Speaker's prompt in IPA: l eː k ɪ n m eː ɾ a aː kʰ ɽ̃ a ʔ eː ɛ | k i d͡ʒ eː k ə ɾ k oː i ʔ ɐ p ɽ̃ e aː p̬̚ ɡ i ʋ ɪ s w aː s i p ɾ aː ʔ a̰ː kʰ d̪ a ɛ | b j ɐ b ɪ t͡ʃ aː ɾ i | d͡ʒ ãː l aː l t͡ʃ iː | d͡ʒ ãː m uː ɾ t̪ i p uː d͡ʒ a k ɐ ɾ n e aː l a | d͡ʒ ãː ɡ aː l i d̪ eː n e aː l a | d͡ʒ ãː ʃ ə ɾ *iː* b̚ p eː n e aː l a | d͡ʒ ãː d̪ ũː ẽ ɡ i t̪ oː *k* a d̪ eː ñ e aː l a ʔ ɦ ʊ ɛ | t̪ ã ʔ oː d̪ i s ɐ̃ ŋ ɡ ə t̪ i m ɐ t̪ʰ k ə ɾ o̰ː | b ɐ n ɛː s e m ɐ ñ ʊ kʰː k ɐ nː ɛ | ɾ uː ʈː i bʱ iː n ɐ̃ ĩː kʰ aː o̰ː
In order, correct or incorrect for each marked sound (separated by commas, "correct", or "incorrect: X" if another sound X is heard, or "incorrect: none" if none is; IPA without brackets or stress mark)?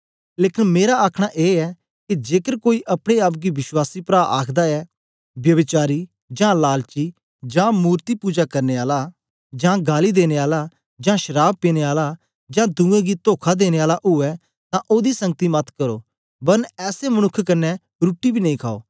incorrect: aː, incorrect: kʰ